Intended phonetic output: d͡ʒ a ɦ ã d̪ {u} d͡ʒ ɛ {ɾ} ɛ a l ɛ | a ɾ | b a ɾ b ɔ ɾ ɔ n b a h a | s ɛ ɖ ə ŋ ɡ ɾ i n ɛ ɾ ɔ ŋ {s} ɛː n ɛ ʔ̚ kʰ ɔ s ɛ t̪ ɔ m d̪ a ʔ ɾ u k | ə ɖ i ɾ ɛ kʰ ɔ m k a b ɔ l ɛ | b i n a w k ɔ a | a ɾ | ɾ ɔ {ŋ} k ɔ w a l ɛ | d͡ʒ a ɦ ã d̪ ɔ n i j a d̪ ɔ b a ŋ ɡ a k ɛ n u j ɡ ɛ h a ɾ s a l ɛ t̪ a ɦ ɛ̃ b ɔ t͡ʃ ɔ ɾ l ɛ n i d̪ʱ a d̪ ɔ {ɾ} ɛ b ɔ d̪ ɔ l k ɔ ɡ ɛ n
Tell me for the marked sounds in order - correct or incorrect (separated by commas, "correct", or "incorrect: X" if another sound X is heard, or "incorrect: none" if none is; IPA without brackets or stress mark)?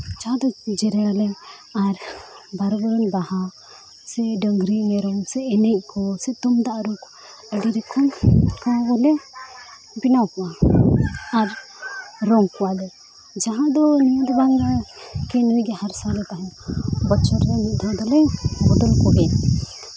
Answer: incorrect: ɔ, correct, correct, correct, incorrect: l